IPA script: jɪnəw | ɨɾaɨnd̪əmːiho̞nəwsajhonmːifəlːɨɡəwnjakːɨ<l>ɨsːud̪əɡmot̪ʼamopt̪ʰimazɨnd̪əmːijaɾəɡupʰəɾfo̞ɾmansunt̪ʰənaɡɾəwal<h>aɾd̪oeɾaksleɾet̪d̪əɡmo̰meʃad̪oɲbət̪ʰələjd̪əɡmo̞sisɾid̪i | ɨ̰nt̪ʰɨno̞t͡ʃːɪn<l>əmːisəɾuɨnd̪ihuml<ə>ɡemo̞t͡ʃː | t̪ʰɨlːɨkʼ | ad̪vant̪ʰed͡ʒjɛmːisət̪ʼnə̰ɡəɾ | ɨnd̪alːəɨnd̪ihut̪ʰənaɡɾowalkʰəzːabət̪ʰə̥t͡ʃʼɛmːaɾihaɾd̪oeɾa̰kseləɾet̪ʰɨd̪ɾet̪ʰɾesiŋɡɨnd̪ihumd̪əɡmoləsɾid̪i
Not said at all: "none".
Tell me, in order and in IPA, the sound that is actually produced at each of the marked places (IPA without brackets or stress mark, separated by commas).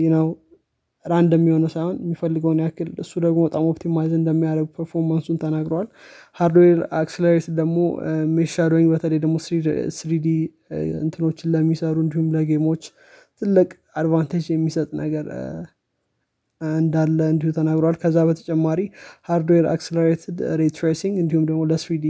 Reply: l, h, l, ə